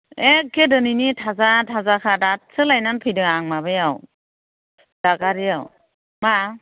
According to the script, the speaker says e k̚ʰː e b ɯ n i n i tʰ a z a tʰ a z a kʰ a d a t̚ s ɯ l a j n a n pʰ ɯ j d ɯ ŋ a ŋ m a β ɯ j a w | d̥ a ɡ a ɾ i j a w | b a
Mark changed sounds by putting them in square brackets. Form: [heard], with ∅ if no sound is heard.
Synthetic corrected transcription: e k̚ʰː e [d] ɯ n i n i tʰ a z a tʰ a z a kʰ a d a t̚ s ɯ l a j n a n pʰ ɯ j d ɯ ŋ a ŋ m a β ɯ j a w | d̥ a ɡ a ɾ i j a w | [m] a